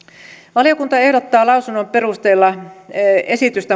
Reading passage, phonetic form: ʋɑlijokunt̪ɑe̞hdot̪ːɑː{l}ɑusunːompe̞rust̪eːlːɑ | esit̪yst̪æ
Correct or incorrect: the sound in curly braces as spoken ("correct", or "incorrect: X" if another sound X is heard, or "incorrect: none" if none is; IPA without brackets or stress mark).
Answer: correct